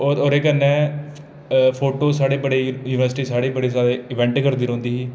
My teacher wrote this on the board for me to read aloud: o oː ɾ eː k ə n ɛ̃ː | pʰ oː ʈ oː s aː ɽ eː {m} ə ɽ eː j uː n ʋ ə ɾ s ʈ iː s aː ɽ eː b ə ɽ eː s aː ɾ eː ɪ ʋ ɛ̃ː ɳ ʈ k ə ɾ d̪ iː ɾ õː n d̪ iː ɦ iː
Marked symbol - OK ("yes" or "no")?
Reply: no